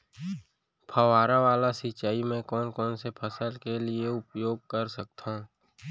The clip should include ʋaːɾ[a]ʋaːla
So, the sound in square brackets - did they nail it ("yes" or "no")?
yes